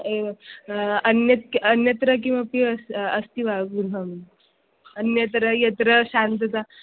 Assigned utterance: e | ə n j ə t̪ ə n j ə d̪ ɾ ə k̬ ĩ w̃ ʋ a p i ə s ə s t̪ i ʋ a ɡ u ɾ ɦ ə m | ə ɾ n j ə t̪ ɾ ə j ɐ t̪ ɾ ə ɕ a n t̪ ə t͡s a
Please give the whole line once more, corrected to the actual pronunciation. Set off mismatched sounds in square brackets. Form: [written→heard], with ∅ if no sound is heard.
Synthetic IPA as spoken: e | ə n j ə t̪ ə n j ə [d̪→t̪] ɾ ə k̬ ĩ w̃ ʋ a p i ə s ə s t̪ i ʋ a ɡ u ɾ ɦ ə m | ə [ɾ→∅] n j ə t̪ ɾ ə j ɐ t̪ ɾ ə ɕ a n t̪ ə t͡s a